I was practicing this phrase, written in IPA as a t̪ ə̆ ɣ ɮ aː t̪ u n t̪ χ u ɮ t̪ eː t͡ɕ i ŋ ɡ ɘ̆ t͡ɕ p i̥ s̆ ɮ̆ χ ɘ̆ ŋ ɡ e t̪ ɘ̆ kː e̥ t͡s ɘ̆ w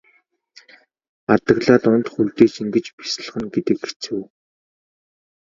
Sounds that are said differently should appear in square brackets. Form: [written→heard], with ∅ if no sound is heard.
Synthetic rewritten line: a t̪ ə̆ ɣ ɮ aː t̪ [u→ʊ] n t̪ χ u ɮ t̪ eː t͡ɕ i ŋ ɡ ɘ̆ t͡ɕ p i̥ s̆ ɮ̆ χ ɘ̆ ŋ ɡ e t̪ ɘ̆ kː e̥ t͡s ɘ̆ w